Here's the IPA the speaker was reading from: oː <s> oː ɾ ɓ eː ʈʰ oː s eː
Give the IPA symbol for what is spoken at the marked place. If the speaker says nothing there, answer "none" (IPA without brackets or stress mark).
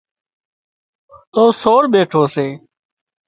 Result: s